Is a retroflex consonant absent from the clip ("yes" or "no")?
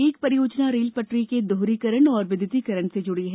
no